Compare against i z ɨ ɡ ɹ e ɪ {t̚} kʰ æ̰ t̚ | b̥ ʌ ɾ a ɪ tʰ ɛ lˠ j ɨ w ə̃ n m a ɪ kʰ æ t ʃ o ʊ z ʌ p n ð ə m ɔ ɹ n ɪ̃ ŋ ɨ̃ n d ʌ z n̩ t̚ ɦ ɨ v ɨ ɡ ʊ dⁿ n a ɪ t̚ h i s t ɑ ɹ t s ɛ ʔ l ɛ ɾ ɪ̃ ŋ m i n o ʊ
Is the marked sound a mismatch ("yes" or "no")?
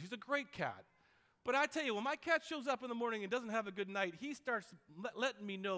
no